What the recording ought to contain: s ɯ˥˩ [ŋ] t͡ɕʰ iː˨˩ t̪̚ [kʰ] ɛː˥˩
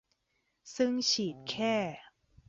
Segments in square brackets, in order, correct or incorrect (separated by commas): correct, correct